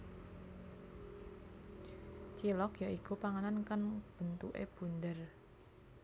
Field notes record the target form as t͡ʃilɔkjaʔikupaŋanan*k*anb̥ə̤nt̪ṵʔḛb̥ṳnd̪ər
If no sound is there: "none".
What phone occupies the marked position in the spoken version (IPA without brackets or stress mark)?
k